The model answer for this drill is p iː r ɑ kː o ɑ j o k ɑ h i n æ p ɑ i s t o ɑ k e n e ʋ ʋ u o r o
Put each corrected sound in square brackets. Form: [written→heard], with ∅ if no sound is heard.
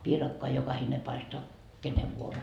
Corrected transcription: p iː r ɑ kː o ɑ j o k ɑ h i n [æ→e] p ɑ i s t o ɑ k e n e ʋ ʋ u o r o

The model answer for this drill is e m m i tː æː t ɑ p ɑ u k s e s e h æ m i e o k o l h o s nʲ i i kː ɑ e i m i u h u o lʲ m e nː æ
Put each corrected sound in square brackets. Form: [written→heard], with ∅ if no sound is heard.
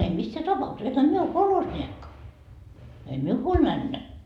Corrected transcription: e m m i [tː→sː] æː t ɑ p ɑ u k s e s e h æ m i e o k o l h o s nʲ i [i→e] kː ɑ e i m i u h u o lʲ m [e→æ] nː æ

